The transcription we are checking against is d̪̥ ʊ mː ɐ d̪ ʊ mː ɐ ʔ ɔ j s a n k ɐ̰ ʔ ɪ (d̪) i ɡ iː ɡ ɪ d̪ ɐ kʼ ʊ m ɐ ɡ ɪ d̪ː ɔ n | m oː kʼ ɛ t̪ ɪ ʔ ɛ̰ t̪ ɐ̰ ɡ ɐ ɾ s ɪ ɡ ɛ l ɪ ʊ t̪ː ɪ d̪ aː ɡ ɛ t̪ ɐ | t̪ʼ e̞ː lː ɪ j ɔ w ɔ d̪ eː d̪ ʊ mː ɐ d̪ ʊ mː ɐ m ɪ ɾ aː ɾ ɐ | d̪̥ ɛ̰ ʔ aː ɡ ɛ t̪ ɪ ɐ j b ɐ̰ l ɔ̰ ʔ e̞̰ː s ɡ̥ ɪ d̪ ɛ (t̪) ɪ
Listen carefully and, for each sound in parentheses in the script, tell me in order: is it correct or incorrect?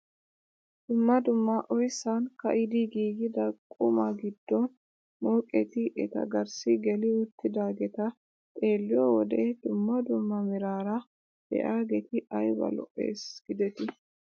correct, correct

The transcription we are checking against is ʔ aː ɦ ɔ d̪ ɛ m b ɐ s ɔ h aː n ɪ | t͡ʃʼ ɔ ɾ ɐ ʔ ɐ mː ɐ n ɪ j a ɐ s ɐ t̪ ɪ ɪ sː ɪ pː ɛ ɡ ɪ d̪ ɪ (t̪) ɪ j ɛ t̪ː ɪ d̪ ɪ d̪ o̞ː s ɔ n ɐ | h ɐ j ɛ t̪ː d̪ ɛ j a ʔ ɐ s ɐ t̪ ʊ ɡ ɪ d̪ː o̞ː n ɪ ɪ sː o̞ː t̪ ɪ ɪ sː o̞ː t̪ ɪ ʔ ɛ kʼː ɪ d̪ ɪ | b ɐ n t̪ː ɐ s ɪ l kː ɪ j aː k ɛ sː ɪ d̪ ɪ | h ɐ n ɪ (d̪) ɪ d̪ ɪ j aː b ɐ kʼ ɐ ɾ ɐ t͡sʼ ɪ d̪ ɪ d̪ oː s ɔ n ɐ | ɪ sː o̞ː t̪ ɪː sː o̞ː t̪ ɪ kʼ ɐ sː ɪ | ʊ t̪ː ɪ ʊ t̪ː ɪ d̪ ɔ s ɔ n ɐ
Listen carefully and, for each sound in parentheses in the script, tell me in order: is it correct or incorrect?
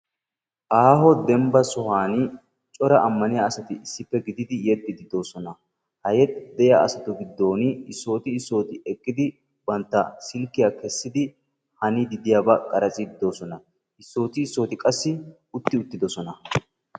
incorrect: d̪, correct

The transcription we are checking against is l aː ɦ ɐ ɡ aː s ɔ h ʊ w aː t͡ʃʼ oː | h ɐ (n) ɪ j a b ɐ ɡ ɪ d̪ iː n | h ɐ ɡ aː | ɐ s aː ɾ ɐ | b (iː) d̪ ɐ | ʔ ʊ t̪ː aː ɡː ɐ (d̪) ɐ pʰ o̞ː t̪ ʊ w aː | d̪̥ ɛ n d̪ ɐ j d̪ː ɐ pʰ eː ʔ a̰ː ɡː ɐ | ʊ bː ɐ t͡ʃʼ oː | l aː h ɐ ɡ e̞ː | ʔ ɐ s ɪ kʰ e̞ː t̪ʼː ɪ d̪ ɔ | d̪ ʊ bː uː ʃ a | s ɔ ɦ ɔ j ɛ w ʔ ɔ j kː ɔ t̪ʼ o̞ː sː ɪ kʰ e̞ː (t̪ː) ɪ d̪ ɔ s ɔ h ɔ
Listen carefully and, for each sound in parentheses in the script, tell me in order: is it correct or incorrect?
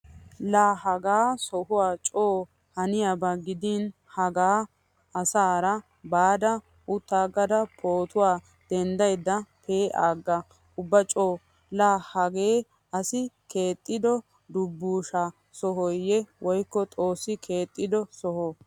correct, incorrect: aː, correct, incorrect: t̪ʼː

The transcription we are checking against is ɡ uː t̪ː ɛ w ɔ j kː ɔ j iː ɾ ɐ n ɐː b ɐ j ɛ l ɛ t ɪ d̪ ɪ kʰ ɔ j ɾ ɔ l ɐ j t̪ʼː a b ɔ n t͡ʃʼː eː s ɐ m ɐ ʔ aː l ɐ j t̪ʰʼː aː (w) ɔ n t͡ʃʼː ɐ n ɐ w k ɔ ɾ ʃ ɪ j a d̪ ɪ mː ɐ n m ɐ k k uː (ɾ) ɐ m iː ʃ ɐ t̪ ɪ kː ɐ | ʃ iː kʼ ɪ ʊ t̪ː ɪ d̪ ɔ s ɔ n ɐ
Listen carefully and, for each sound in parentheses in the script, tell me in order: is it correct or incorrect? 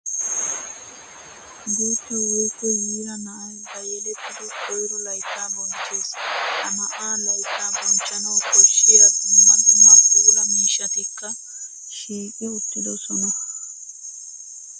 incorrect: b, incorrect: l

